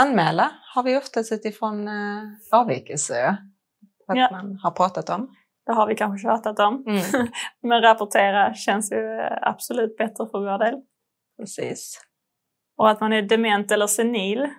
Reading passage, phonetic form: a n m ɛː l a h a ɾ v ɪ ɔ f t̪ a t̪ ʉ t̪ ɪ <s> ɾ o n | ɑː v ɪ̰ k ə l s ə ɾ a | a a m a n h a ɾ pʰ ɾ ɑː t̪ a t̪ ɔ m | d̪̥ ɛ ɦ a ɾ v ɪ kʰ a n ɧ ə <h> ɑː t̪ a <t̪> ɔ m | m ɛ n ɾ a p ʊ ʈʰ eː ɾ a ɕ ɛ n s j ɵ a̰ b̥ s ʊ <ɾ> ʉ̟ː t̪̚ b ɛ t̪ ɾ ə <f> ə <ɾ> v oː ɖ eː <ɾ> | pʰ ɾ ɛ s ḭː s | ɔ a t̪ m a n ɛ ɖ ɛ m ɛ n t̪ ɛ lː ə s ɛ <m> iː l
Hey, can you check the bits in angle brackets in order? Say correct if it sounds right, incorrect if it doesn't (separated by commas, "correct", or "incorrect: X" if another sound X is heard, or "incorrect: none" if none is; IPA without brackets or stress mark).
incorrect: f, incorrect: ɕ, correct, incorrect: l, correct, correct, incorrect: l, incorrect: n